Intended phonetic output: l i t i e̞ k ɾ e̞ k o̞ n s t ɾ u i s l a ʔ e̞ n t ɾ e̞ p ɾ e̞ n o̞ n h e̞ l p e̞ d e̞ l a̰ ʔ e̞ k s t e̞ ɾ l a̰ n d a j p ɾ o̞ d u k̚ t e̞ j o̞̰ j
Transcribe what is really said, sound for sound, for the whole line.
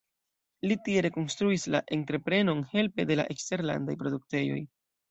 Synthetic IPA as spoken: l i t i e̞ ɾ e̞ k o̞ n s t ɾ u i s l a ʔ e̞ n t ɾ e̞ p ɾ e̞ n o̞ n h e̞ l p e̞ d e̞ l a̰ ʔ e̞ k s t e̞ ɾ l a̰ n d a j p ɾ o̞ d u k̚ t e̞ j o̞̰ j

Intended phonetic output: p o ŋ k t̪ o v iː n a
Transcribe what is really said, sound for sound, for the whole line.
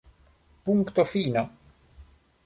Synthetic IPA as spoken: p u ŋ k t̪ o f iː n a

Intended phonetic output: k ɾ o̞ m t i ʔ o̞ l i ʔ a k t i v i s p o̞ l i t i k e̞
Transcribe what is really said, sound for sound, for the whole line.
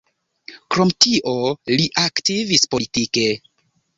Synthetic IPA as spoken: k ɾ o̞ m t i ʔ o̞ l i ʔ a k t i v i s p o̞ l i t i k e̞

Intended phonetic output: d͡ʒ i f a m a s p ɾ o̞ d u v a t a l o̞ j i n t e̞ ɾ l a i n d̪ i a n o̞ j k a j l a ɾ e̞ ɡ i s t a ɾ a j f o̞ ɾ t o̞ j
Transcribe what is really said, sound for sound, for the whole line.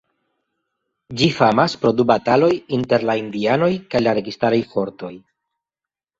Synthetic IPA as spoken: d͡ʒ i f a m a s p ɾ o̞ d u b a t a l o̞ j i n t e̞ ɾ l a i n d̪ i a n o̞ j k a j l a ɾ e̞ ɡ i s t a ɾ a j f o̞ ɾ t o̞ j

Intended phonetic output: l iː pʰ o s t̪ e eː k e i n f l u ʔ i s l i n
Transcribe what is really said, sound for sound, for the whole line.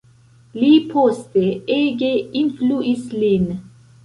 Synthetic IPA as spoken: l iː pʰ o s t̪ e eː ɡ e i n f l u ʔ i s l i n

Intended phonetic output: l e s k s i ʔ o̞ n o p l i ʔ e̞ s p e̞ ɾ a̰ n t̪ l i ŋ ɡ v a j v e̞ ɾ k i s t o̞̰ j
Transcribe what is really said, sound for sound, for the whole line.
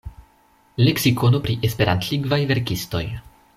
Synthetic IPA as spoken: l e k s i k o̞ n o p ɾ i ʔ e̞ s p e̞ ɾ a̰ n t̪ l i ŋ ɡ v a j v e̞ ɾ k i s t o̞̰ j

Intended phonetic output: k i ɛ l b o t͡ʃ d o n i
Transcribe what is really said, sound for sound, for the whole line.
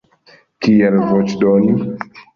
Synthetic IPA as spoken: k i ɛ l v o t͡ʃ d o n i

